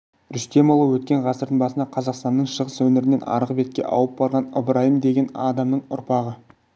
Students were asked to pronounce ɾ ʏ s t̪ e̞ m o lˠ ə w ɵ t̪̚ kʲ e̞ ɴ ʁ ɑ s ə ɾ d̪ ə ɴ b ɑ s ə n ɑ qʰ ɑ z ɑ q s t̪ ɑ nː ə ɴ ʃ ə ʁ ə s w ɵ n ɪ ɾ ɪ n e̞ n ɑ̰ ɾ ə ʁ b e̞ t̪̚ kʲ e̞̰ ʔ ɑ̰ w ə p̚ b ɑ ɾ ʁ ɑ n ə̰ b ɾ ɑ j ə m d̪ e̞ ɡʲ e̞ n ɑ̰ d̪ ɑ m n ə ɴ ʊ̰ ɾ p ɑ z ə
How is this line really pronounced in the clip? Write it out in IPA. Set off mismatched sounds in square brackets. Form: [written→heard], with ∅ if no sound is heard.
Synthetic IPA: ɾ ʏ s t̪ e̞ m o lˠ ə w ɵ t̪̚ kʲ e̞ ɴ ʁ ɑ s ə ɾ d̪ ə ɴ b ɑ s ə n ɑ qʰ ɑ z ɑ q s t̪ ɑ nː ə ɴ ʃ ə ʁ ə s w ɵ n ɪ ɾ ɪ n e̞ n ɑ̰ ɾ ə ʁ b e̞ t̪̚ kʲ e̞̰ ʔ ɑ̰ w ə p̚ b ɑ ɾ ʁ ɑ n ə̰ b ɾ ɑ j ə m d̪ e̞ ɡʲ e̞ n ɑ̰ d̪ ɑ m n ə ɴ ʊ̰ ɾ p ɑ [z→ʁ] ə